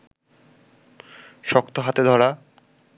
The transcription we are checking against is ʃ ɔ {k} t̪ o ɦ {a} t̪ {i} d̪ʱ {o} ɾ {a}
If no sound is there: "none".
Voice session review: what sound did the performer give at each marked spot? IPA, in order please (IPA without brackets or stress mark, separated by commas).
k, a, e, ɔ, a